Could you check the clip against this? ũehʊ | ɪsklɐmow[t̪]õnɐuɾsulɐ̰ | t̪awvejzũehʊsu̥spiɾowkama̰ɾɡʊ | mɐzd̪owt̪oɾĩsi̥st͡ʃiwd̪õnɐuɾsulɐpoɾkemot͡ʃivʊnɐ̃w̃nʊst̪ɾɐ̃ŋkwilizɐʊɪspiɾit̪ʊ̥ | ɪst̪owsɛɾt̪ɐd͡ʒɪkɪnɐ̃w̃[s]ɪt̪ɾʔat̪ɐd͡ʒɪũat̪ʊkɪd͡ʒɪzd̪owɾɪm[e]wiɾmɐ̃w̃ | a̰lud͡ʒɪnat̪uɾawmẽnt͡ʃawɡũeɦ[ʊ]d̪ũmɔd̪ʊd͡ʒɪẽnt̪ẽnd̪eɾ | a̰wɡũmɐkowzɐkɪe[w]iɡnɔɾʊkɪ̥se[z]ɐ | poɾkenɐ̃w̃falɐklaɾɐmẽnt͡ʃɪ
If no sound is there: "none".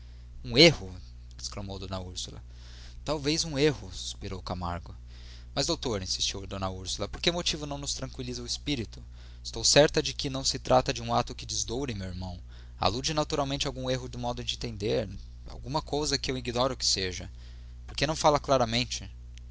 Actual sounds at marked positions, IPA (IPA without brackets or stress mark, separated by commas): d̪, s, e, ʊ, w, ʒ